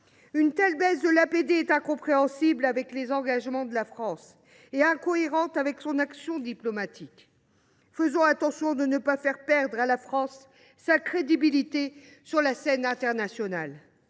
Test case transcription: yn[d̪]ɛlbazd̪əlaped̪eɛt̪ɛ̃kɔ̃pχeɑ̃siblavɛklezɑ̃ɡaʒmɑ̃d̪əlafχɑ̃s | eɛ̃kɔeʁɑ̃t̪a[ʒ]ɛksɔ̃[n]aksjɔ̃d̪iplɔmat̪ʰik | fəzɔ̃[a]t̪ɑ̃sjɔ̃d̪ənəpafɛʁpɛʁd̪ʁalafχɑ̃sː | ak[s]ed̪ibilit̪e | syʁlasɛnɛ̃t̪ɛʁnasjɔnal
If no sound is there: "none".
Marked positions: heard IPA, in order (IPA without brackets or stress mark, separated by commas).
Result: t̪, v, n, a, χ